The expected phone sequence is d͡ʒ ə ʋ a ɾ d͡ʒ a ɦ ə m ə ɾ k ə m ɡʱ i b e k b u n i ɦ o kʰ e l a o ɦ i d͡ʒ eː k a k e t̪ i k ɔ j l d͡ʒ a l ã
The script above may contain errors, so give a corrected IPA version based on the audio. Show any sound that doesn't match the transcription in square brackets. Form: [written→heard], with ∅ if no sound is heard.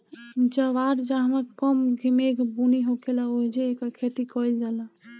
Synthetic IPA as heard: d͡ʒ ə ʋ a ɾ d͡ʒ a ɦ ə m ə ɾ k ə m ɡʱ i [b→m] e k b u n i ɦ o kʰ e l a o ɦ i d͡ʒ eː k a [k→kʰ] e t̪ i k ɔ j l d͡ʒ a l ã